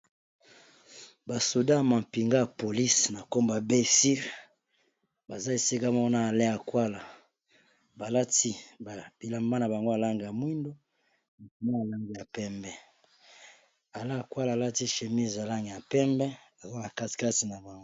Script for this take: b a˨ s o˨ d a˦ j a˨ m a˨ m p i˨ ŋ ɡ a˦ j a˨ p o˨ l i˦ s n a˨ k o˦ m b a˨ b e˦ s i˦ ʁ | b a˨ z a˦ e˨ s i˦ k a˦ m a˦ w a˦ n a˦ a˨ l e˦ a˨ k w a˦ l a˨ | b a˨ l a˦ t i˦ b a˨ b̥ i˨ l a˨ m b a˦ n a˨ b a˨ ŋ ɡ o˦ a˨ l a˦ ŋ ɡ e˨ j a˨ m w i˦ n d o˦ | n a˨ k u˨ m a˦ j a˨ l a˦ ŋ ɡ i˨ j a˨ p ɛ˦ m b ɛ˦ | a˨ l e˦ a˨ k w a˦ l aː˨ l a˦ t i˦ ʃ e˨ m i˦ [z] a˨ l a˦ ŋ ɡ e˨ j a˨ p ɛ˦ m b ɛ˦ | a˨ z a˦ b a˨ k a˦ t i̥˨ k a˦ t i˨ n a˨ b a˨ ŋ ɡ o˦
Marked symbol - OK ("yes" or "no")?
yes